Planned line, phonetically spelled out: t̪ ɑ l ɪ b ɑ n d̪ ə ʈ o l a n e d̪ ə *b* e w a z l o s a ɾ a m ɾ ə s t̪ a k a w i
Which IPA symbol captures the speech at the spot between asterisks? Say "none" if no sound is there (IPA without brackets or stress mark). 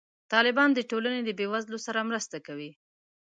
b